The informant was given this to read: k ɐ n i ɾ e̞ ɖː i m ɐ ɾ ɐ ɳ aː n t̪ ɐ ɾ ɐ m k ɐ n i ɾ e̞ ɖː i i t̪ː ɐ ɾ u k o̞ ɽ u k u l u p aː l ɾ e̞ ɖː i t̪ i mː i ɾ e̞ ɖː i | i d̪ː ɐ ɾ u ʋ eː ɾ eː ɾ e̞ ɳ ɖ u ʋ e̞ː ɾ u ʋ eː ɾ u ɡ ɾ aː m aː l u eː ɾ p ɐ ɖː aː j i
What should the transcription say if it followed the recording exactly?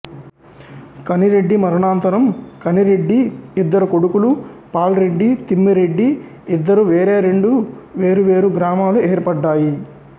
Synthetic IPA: k ɐ n i ɾ e̞ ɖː i m ɐ ɾ ɐ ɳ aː n t̪ ɐ ɾ ɐ m k ɐ n i ɾ e̞ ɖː i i d̪ː ɐ ɾ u k o̞ ɽ u k u l u p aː l ɾ e̞ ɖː i t̪ i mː i ɾ e̞ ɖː i | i d̪ː ɐ ɾ u ʋ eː ɾ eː ɾ e̞ ɳ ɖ u ʋ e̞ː ɾ u ʋ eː ɾ u ɡ ɾ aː m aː l u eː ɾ p ɐ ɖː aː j i